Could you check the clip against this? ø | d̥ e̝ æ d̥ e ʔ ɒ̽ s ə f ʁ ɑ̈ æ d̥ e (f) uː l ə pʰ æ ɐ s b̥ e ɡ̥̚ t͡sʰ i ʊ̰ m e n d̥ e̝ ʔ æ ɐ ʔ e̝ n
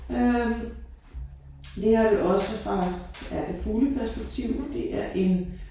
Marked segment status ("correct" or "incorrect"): correct